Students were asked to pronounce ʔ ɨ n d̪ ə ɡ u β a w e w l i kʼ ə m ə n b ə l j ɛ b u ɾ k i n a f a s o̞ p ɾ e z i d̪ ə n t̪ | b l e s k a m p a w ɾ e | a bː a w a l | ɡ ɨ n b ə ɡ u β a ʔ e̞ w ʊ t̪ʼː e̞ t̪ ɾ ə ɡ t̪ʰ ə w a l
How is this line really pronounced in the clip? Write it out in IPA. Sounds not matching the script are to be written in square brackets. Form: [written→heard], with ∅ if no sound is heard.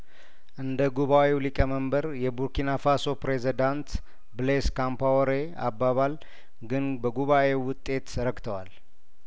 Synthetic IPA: ʔ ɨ n d̪ ə ɡ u β a w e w l i kʼ ə m ə [n→m] b ə [l→ɾ] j ɛ b u ɾ k i n a f a s o̞ p ɾ e z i d̪ [ə→a] n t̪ | b l e s k a m p a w ɾ e | a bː a [w→β] a l | ɡ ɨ n b ə ɡ u β a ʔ e̞ w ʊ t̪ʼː e̞ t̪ ɾ ə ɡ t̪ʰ ə w a l